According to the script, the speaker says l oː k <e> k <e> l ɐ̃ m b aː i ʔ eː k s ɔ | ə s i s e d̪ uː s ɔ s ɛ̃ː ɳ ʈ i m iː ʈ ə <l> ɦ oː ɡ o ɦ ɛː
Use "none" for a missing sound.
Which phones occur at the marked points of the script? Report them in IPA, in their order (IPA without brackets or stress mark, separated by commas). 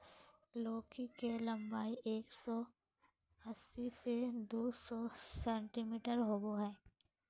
i, e, ɾ